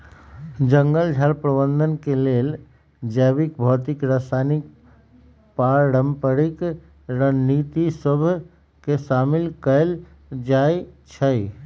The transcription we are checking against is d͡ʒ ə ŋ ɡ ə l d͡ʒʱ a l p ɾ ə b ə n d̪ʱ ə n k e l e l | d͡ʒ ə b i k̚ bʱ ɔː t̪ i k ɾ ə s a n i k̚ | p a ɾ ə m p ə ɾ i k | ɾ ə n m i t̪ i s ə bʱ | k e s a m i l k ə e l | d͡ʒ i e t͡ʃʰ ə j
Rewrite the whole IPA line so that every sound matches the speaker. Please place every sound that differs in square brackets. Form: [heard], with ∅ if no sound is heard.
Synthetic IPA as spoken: d͡ʒ ə ŋ ɡ ə l d͡ʒʱ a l p ɾ ə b ə n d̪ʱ ə n k e l e l | d͡ʒ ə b i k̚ bʱ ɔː t̪ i k ɾ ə s a n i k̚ | p a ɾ ə m p ə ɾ i k | ɾ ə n [n] i t̪ i s ə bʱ | k e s a m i l k ə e l | d͡ʒ [a] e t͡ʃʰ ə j

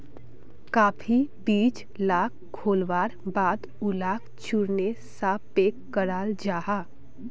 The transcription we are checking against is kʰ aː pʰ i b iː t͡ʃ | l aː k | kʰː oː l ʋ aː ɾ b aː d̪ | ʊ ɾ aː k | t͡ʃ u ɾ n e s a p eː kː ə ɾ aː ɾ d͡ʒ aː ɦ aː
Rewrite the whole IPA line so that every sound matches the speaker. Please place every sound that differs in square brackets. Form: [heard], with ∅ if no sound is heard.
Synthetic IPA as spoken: [k] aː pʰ i b iː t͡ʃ | l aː k | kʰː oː l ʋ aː ɾ b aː d̪ | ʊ [l] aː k | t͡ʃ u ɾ n e s a p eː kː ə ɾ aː [l] d͡ʒ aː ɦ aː

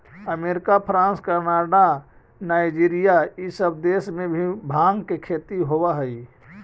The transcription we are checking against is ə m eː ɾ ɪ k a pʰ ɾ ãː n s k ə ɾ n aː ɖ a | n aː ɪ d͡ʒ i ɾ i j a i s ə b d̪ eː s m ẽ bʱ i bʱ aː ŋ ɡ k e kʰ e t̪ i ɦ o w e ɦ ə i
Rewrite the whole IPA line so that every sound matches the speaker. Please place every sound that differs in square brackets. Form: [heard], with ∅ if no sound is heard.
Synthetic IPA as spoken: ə m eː ɾ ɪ k a pʰ ɾ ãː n s k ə ɾ n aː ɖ a | n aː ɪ d͡ʒ i ɾ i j a i s ə b d̪ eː s m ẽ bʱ i bʱ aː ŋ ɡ k e kʰ e t̪ i ɦ o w [a] ɦ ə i

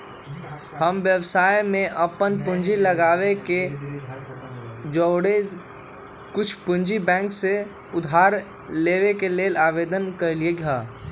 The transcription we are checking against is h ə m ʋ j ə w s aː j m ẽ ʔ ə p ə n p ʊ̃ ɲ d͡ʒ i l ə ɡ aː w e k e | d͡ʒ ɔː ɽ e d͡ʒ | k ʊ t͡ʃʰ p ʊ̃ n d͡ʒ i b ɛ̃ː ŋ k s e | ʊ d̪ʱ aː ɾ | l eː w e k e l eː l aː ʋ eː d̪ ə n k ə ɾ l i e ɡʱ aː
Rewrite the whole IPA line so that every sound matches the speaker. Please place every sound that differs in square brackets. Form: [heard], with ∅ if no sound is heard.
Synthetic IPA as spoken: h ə m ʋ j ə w s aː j m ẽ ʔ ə p ə n p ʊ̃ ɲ d͡ʒ i l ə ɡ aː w e k e | d͡ʒ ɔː ɽ e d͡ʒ | k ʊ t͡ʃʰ p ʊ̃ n d͡ʒ i b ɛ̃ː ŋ k s e | ʊ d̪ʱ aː ɾ | l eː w e k e l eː l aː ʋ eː d̪ ə n k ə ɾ l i e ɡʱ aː

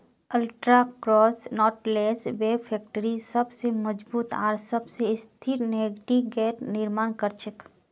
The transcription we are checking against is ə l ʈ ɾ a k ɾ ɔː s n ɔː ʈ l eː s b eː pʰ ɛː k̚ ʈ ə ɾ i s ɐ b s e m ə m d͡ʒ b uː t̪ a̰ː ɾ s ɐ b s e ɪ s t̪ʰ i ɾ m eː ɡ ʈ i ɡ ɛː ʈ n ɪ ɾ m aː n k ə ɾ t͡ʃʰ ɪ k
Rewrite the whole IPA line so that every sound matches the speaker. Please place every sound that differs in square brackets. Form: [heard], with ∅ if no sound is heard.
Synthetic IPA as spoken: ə l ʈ ɾ a k ɾ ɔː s n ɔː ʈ l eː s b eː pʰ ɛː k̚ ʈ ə ɾ i s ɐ b s e m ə [∅] d͡ʒ b uː t̪ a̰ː ɾ s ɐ b s e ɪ s t̪ʰ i ɾ [n] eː ɡ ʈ i ɡ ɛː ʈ n ɪ ɾ m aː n k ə ɾ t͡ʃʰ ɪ k

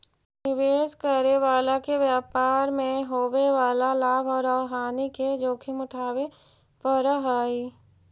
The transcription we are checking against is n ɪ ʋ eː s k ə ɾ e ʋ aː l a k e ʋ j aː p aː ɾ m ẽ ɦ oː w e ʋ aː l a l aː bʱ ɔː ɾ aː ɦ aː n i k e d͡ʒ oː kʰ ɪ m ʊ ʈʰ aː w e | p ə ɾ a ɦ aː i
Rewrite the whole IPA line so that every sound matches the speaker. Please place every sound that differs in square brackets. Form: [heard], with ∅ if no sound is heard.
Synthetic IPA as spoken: n ɪ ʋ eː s k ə ɾ e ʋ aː l a k e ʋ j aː p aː ɾ m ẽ ɦ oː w e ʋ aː l a l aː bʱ ɔː ɾ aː ɦ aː n i k e d͡ʒ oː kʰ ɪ m ʊ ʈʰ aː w e | p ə ɾ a ɦ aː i

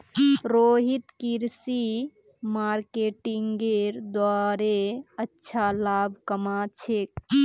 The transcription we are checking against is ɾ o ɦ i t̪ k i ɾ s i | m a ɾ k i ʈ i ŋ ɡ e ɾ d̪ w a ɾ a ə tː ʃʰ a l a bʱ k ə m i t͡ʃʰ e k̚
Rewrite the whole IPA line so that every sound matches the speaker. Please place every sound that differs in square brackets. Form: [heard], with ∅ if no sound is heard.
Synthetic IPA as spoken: ɾ o ɦ i t̪ k i ɾ s i | m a ɾ k [e] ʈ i ŋ ɡ e ɾ d̪ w a ɾ [e] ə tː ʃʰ a l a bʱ k ə m [a] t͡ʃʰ e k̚

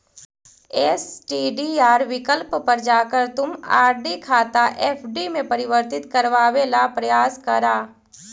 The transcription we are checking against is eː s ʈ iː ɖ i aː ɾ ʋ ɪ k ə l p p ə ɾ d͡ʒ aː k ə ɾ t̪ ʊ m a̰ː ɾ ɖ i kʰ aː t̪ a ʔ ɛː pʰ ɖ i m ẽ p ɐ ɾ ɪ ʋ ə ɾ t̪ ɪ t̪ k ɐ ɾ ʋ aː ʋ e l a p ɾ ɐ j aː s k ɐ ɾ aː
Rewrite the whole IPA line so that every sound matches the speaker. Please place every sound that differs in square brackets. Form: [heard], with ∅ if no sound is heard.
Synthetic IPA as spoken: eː s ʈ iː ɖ i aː ɾ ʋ ɪ k ə l p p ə ɾ d͡ʒ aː k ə ɾ t̪ ʊ m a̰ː ɾ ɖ i kʰ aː t̪ a ʔ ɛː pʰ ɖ i m ẽ p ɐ ɾ ɪ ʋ ə ɾ t̪ ɪ t̪ k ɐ ɾ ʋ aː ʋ e l a p ɾ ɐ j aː s k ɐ ɾ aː

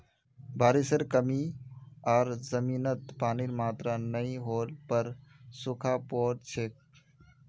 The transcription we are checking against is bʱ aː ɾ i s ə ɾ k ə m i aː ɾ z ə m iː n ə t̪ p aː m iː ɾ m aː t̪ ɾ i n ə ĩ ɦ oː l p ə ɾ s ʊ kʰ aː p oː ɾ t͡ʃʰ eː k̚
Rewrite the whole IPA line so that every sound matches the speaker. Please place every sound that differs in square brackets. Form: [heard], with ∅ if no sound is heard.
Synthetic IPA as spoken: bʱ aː ɾ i s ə ɾ k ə m i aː ɾ z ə m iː n ə t̪ p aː [n] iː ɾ m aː t̪ ɾ [a] n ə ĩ ɦ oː l p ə ɾ s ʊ kʰ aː p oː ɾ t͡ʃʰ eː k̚

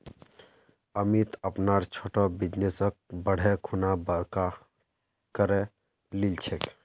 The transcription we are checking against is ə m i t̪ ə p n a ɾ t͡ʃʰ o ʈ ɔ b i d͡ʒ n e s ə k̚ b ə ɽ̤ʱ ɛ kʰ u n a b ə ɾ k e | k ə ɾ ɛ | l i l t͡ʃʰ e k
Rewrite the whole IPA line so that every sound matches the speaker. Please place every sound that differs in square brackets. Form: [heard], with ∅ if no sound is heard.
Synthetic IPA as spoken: ə m i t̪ ə p n a ɾ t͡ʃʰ o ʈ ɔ b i d͡ʒ n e s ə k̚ b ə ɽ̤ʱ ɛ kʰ u n a b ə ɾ k [a] | k ə ɾ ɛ | l i l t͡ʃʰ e k

